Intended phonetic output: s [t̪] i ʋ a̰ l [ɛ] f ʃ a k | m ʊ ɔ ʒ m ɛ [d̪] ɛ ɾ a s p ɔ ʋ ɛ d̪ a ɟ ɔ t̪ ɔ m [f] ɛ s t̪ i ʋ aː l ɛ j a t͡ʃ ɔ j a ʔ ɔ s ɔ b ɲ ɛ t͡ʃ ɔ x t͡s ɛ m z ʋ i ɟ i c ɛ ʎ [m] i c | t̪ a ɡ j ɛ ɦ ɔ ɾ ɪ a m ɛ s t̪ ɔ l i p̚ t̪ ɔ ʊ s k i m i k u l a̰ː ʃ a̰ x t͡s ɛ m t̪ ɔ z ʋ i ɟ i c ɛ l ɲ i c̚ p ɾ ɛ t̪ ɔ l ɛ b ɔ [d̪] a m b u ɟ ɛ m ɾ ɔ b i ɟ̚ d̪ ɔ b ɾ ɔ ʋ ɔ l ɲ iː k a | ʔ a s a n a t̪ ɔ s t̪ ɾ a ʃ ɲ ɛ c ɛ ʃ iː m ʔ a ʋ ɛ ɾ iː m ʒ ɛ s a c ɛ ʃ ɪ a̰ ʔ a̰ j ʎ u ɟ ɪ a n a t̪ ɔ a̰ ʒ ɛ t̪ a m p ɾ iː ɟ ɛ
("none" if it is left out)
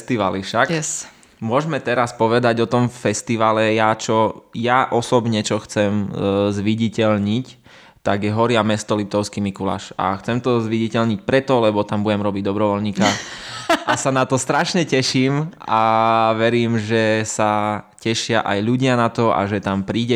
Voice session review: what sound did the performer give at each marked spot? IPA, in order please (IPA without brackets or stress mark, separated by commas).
t̪, i, t̪, f, ɲ, t̪